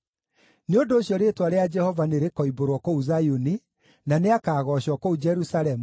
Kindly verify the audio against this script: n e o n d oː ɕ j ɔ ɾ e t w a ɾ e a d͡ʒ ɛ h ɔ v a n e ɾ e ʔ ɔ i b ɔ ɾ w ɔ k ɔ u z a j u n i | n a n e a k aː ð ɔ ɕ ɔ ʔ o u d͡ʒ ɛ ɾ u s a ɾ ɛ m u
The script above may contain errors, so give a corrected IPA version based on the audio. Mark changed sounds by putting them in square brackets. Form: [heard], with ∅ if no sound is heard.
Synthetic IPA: n e o n d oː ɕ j ɔ ɾ e t w a ɾ e a d͡ʒ ɛ h ɔ v a n e ɾ e [k] ɔ i b [o] ɾ w ɔ k [o] u z a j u n i | n a n e a k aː [ɣ] ɔ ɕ ɔ [k] o u d͡ʒ ɛ ɾ u s a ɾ ɛ m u

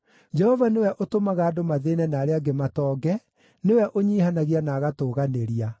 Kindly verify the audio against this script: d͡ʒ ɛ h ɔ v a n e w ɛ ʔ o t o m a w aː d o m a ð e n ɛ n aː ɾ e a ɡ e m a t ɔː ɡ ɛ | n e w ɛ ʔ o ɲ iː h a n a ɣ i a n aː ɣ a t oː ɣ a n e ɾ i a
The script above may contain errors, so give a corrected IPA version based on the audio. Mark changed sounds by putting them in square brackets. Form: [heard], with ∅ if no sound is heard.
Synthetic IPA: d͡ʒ ɛ h ɔ v a n e w ɛ ʔ o t o m a [ɣ] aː d o m a ð e n ɛ n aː ɾ e a ɡ e m a t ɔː ɡ ɛ | n e w ɛ ʔ o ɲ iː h a n a ɣ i a n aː ɣ a t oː ɣ a n e ɾ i a

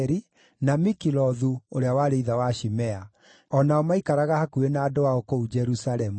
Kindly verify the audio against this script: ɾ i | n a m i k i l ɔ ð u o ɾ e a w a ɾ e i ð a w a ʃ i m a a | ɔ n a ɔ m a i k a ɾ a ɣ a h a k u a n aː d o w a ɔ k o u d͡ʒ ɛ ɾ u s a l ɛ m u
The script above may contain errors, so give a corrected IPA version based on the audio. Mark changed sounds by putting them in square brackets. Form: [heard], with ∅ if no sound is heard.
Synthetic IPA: ɾ i | n a m i k i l ɔ ð u o ɾ e a w a ɾ e i ð a w a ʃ i m [ɛ] a | ɔ n a ɔ m a i k a ɾ a ɣ a h a k u [e] n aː d o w a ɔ k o u d͡ʒ ɛ ɾ u s a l ɛ m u

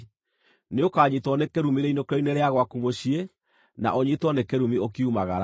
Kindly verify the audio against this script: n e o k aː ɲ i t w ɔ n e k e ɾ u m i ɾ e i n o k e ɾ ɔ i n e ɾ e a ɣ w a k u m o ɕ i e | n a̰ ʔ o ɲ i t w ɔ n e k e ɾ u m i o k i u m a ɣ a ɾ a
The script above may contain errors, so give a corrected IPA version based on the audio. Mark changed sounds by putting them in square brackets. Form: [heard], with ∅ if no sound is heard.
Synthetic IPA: n e o k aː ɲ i t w ɔ n e k e ɾ u m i ɾ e i n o k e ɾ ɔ i n e ɾ e a ɣ w a k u m o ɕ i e | n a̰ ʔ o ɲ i t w ɔ n e k e ɾ u m i o k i u m a ɣ a ɾ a

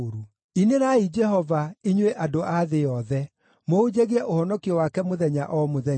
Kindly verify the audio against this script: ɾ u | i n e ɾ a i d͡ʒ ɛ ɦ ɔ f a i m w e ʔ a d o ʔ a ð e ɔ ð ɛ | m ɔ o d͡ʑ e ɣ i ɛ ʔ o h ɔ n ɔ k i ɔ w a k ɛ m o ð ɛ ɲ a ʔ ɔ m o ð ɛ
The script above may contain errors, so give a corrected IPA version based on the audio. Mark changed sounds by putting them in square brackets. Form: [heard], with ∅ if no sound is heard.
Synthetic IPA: ɾ u | i n e ɾ a i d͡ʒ ɛ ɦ ɔ [v] a i [ɲ] w e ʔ a d o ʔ a ð e ɔ ð ɛ | m [o] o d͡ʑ e ɣ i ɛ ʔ o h ɔ n ɔ k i ɔ w a k ɛ m o ð ɛ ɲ a ʔ ɔ m o ð ɛ

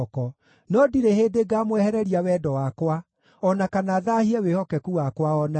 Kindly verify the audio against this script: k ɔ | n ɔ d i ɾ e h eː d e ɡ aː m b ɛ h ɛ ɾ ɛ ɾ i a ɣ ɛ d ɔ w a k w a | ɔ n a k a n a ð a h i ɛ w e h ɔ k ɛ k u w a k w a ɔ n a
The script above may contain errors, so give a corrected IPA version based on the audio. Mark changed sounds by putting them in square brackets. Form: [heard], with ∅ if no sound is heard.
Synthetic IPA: k ɔ | n ɔ d i ɾ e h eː d e ɡ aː m [w] ɛ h ɛ ɾ ɛ ɾ i a [w] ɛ d ɔ w a k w a | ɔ n a k a n a ð a h i ɛ w e h ɔ k ɛ k u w a k w a ɔ n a

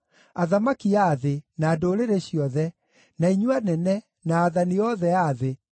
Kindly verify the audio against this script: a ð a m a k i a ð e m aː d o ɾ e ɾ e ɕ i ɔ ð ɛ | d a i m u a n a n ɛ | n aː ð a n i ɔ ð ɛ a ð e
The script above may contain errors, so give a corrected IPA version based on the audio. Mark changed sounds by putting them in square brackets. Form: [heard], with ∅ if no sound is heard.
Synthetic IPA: a ð a m a k i a ð e [n] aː d o ɾ e ɾ e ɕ i ɔ ð ɛ | [n] a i [ɲ] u a n [ɛ] n ɛ | n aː ð a n i ɔ ð ɛ a ð e

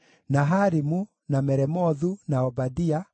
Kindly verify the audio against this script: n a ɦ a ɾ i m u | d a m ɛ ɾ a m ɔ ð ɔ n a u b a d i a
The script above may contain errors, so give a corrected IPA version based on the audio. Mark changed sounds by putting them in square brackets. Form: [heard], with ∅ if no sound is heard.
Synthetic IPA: n a ɦ a ɾ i m u | [n] a m ɛ ɾ [ɛ] m ɔ ð [u] n a [ɔ] b a d i a

